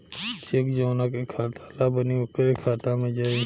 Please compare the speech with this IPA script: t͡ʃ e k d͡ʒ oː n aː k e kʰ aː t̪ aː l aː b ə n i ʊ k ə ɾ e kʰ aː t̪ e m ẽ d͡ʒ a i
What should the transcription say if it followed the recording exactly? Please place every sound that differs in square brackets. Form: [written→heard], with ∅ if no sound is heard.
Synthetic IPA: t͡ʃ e k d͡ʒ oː n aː k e kʰ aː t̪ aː l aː b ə n i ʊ k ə ɾ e kʰ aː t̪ [e→a] m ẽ d͡ʒ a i